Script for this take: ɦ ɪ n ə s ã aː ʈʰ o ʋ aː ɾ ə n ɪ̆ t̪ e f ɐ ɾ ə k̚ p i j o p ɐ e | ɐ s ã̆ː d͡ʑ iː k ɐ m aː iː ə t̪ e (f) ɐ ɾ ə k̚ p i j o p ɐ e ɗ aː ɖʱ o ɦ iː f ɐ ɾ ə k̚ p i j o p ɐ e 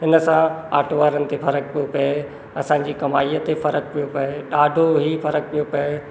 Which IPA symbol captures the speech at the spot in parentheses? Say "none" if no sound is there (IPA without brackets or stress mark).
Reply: f